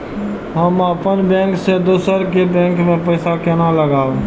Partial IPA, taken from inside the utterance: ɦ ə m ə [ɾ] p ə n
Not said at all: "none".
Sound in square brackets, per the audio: none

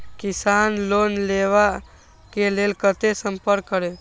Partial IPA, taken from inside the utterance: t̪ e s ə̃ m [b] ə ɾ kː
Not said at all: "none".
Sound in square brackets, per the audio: p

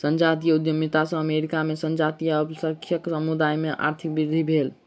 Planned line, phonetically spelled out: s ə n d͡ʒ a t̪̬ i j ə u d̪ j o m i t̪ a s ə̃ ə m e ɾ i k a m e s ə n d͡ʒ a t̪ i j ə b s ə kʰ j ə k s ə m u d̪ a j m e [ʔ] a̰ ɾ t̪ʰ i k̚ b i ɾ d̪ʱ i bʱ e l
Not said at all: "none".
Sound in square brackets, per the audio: ʔ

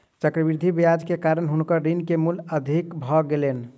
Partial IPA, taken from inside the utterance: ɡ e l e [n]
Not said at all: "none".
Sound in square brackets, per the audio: n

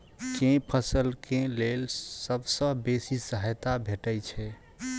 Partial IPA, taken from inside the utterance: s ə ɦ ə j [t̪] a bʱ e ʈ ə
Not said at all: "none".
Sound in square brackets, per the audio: t̪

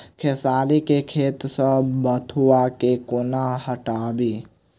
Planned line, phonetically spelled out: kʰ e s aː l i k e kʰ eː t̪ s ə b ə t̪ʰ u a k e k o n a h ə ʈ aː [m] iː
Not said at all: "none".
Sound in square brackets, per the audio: b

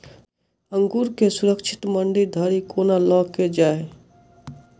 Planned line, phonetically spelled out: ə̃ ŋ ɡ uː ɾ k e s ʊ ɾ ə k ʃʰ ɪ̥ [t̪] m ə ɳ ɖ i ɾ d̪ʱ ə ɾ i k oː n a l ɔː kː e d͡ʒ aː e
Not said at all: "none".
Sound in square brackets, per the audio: t̪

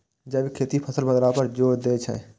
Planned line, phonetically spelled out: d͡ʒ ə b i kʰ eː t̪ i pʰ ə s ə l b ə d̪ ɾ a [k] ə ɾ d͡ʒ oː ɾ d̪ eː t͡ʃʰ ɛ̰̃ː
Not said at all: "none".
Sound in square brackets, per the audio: p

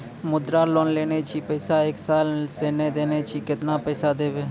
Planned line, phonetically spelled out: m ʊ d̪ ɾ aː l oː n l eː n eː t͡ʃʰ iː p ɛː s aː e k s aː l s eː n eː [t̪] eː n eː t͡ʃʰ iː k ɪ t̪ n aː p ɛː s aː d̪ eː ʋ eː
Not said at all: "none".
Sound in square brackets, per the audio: d̪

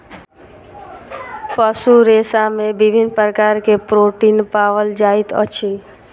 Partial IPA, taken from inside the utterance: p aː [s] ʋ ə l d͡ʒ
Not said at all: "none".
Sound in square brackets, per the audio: none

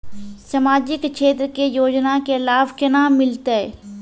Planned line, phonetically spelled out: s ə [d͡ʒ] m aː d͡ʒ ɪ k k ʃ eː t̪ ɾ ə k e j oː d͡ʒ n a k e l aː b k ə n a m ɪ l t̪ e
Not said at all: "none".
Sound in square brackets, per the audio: none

